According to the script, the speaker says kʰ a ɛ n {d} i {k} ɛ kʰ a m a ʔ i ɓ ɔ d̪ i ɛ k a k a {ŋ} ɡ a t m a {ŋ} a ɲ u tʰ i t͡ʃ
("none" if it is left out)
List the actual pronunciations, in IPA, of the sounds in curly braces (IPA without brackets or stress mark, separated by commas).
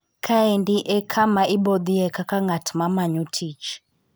d, ʔ, ŋ, m